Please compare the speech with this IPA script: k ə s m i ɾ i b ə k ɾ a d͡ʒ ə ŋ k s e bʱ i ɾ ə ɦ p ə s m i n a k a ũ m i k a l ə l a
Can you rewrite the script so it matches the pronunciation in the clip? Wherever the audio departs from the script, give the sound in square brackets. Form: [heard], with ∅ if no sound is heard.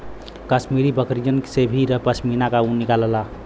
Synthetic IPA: k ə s m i ɾ i b ə k ɾ [i] d͡ʒ ə [n] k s e bʱ i ɾ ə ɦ p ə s m i n a k a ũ [n] i k a l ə l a